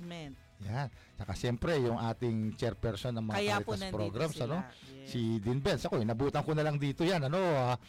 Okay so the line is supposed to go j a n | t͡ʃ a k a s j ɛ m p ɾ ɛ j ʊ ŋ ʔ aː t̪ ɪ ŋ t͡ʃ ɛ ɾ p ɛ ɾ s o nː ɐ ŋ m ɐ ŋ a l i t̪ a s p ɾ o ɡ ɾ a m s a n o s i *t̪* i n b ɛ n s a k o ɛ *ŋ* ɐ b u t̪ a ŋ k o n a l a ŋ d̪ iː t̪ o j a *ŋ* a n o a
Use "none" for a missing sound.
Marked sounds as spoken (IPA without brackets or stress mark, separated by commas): d̪, n, n